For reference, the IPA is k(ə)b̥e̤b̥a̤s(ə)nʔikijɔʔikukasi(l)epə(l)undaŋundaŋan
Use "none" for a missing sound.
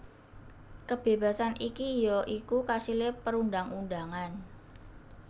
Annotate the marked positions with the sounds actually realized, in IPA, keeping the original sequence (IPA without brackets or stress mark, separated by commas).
ə, a, l, ɾ